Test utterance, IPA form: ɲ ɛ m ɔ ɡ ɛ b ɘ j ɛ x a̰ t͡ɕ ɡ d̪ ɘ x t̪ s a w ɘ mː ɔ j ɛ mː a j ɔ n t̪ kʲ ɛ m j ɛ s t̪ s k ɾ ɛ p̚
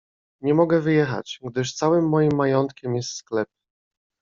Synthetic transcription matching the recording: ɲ ɛ m ɔ ɡ ɛ v ɘ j ɛ x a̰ t͡ɕ ɡ d̪ ɘ ʂ t̪ s a w ɘ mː ɔ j i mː a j ɔ n t̪ kʲ ɛ m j ɛ s t̪ s k l ɛ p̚